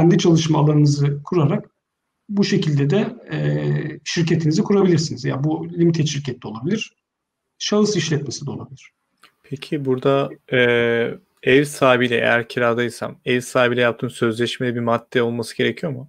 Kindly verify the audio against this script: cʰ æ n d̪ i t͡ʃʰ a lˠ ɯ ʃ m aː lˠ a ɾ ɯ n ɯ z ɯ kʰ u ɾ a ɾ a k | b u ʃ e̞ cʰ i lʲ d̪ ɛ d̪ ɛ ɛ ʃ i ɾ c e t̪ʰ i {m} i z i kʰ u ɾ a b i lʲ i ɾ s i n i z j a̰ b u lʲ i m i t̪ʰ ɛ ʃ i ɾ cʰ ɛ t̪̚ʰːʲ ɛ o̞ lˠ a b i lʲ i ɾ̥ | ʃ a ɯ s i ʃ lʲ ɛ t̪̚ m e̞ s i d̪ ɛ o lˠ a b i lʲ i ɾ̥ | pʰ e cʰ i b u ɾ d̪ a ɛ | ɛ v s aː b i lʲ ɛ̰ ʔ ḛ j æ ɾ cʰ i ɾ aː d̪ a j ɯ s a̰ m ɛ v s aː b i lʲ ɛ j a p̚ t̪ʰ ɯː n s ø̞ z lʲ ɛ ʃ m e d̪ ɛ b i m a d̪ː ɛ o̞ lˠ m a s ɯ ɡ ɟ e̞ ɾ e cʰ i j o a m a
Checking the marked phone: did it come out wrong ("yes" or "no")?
yes